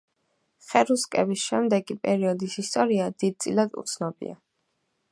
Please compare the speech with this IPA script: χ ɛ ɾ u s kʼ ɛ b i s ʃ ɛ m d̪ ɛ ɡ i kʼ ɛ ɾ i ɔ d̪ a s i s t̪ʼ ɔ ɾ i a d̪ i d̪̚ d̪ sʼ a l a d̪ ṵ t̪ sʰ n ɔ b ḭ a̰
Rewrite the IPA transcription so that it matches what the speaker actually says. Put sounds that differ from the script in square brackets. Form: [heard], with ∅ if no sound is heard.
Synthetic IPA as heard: χ ɛ ɾ u s kʼ ɛ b i s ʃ ɛ m d̪ ɛ ɡ i [pʼ] ɛ ɾ i ɔ d̪ [i] s i s t̪ʼ ɔ ɾ i a d̪ i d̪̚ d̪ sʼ [i] l a d̪ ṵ t̪ sʰ n ɔ b ḭ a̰